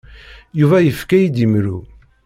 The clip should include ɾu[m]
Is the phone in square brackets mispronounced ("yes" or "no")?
yes